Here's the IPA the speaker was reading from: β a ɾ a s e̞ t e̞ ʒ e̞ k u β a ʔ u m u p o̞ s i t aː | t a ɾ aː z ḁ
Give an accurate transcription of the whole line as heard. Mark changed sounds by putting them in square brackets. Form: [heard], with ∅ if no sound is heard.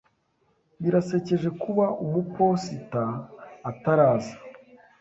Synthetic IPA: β [i] ɾ a s e̞ [c] e̞ ʒ e̞ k u β a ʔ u m u p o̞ s i t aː | t a ɾ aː z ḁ